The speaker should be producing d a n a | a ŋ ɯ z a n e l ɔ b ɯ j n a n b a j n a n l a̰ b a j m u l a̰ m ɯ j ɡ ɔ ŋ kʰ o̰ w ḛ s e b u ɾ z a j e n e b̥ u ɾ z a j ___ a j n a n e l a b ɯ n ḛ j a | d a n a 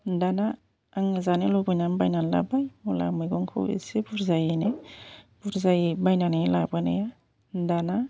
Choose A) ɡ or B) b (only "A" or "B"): B